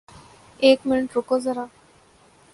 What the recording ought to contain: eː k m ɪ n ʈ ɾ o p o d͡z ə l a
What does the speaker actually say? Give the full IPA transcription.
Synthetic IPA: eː k m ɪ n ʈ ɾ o k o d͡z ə ɾ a